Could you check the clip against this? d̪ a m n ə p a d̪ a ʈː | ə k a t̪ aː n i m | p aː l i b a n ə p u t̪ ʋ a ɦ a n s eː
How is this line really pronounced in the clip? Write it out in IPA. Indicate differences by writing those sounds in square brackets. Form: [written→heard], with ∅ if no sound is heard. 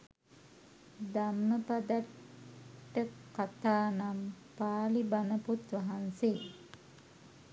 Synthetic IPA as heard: d̪ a m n ə p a d̪ a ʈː | ə k a t̪ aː n [i→a] m | p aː l i b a n ə p u t̪ ʋ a ɦ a n s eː